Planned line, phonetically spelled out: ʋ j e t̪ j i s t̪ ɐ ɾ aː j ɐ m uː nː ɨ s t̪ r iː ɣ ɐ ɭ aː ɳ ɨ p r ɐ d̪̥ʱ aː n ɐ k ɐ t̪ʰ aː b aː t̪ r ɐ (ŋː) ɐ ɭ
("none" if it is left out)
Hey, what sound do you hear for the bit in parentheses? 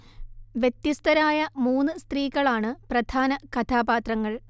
ŋː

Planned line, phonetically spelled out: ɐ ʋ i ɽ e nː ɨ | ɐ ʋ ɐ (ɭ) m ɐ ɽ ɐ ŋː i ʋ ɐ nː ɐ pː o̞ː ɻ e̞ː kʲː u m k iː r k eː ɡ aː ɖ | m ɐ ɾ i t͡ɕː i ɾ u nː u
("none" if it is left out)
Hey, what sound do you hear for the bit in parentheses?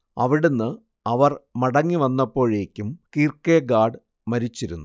r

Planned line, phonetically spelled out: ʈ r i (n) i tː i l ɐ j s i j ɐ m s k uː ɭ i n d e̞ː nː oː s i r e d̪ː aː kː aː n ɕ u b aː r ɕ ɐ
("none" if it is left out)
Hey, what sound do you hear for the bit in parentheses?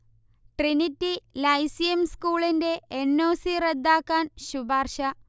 n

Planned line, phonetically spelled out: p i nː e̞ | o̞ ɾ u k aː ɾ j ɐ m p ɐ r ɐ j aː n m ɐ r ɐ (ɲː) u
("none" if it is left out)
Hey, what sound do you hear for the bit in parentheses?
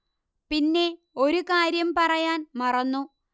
nː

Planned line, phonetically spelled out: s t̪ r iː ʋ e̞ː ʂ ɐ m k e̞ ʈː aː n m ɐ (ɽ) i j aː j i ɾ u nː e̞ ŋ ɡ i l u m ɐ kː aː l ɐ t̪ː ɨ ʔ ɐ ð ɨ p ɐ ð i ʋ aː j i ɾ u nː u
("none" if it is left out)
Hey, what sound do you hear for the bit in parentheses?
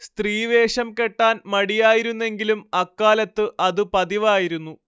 ɽ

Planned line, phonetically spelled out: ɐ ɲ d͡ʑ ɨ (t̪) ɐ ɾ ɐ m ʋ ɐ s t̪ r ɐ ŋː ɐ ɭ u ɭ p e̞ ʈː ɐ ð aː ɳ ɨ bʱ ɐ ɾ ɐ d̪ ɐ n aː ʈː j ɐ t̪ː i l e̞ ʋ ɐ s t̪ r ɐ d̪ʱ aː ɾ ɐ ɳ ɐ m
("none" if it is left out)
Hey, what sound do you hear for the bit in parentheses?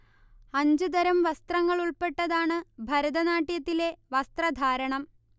d̪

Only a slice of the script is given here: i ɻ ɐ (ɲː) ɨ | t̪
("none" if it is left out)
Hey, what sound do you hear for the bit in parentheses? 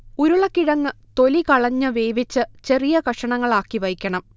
ŋː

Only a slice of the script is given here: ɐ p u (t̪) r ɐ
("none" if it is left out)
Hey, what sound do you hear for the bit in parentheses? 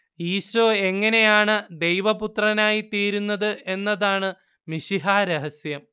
t̪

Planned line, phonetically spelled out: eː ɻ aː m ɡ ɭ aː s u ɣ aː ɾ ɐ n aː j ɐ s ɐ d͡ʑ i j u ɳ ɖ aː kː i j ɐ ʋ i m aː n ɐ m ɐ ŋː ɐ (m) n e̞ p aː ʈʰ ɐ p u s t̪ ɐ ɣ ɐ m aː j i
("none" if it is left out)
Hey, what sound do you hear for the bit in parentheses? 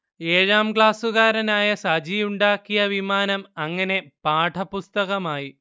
none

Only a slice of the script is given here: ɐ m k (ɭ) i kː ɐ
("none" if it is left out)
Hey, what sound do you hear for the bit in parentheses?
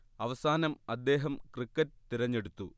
r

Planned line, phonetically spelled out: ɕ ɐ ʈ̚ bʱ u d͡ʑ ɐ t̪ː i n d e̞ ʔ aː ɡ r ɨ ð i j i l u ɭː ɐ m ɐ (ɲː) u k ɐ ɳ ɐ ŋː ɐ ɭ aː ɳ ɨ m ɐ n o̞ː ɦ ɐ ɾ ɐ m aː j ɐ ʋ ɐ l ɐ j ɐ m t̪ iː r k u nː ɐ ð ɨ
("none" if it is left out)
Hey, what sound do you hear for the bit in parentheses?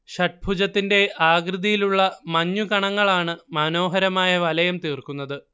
ɲː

